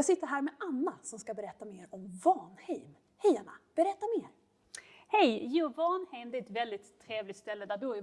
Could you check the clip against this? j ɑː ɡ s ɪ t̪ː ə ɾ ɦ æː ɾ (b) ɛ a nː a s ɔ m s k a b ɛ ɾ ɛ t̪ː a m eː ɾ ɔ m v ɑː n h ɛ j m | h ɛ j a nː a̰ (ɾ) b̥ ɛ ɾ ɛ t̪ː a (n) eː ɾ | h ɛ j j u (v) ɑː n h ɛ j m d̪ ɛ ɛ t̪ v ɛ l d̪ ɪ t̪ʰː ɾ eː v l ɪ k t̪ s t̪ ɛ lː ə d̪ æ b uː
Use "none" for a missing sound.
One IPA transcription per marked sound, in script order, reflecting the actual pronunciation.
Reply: m, none, m, v

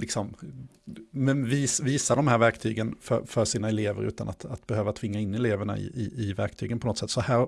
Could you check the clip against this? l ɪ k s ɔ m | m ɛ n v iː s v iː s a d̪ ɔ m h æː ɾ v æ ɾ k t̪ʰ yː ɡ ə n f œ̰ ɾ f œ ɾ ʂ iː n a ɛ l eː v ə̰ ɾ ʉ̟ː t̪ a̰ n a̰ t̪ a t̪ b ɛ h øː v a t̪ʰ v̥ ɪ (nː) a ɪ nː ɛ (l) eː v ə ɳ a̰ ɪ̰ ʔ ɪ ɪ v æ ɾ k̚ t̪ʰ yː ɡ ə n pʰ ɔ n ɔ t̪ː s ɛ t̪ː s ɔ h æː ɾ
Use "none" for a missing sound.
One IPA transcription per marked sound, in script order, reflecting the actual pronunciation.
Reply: ŋː, l

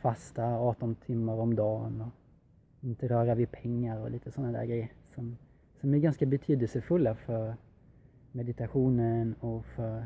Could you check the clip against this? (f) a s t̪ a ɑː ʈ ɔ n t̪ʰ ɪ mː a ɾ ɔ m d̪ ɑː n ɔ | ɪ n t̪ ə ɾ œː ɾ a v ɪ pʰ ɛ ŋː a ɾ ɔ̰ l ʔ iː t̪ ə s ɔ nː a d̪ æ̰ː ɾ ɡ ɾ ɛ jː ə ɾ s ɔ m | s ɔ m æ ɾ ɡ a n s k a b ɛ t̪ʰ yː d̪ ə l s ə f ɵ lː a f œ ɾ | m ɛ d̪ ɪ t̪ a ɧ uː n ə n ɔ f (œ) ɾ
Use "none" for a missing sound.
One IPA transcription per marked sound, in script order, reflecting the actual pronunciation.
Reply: f, œ

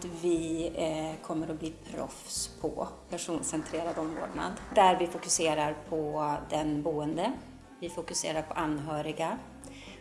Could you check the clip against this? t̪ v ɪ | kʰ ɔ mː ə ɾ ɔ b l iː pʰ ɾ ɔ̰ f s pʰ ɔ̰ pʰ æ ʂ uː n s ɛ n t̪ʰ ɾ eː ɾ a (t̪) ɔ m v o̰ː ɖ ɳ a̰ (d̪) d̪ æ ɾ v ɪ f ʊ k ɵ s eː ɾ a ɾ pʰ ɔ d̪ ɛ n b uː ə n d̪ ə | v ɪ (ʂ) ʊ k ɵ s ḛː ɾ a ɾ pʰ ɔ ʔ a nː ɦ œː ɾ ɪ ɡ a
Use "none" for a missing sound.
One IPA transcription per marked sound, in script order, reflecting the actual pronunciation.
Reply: d̪, d̪, f

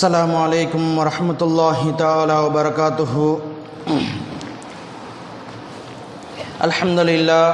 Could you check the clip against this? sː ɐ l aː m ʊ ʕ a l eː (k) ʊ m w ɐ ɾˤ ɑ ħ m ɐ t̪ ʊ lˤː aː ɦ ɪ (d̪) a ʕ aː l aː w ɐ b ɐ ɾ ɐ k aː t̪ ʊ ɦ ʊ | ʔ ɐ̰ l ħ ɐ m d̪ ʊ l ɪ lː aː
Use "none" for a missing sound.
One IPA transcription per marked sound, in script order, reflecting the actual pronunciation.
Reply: k, t̪

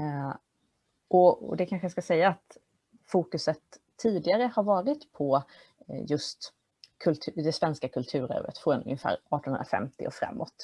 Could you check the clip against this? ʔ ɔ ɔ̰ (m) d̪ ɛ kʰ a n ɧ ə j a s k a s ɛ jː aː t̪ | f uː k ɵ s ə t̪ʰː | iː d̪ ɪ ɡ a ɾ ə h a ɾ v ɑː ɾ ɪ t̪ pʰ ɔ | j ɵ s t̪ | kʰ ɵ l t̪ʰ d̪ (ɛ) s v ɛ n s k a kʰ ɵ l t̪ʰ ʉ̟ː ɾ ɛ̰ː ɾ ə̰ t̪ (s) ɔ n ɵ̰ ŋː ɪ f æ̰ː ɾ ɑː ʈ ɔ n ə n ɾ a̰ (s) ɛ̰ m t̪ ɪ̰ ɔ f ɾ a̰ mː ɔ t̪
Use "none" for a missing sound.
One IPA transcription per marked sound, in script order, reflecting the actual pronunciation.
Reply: none, ɛ, f, f

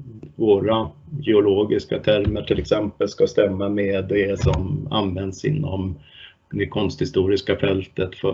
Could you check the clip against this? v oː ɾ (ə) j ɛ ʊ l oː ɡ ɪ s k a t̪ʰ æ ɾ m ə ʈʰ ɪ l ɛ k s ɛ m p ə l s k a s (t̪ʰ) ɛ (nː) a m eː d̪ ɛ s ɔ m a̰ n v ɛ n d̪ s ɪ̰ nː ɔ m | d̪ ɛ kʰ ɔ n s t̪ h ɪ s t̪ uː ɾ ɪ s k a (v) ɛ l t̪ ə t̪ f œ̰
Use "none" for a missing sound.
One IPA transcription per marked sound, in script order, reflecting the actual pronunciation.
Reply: a, t̪, mː, f

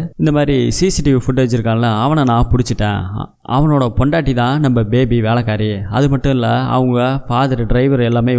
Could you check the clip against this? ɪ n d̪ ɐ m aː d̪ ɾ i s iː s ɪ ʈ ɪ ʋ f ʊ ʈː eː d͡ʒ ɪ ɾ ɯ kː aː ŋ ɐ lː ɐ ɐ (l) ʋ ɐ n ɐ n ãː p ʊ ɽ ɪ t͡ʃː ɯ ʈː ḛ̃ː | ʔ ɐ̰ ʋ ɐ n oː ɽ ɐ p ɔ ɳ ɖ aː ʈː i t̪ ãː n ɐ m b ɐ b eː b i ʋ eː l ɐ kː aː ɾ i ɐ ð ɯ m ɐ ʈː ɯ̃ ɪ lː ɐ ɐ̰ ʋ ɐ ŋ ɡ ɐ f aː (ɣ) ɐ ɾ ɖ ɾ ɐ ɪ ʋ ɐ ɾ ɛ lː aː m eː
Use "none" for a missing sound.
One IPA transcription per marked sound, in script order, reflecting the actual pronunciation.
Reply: none, ð

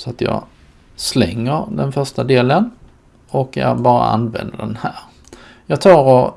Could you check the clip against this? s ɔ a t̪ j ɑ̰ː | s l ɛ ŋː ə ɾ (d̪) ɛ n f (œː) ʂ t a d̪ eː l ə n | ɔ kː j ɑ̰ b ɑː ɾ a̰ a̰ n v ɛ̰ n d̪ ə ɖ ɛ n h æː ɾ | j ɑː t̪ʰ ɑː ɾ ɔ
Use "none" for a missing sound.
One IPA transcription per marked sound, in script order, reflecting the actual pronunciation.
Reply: d̪, œ

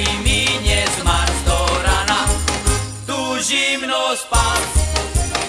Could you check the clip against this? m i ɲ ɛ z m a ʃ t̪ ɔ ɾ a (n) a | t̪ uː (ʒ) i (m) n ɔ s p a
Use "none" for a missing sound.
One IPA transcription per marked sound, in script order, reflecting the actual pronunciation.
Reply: n, ʒ, m

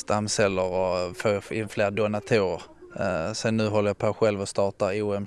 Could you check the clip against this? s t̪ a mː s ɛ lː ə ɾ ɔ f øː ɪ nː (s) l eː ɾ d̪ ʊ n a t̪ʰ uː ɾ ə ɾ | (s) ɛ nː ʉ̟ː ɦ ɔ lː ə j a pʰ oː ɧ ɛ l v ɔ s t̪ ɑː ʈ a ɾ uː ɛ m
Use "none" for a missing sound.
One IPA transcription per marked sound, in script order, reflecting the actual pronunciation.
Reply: f, s

